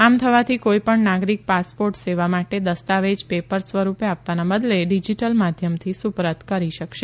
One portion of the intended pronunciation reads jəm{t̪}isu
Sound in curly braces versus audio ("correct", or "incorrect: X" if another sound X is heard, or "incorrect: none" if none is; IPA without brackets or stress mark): incorrect: t̪ʰ